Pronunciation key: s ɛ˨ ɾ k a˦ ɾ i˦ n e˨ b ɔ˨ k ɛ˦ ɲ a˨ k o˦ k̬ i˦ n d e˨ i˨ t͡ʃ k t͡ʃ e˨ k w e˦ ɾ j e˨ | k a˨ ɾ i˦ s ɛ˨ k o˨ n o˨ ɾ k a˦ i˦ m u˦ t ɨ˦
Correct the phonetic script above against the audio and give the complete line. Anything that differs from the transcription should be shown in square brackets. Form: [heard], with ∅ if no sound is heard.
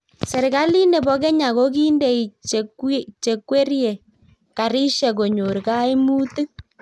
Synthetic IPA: s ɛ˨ ɾ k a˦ [l] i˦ n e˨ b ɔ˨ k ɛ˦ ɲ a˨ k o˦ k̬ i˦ n d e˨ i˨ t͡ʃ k t͡ʃ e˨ k w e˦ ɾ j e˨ | k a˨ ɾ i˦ [ʃ] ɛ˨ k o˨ [ɲ] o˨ ɾ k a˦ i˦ m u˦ t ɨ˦